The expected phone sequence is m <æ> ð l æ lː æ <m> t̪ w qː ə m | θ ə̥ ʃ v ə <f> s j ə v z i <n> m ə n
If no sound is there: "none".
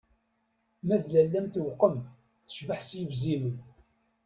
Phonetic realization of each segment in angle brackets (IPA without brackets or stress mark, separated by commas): æ, m, ħ, none